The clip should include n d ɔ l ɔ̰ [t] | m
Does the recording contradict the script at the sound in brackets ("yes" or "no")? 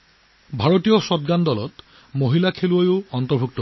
no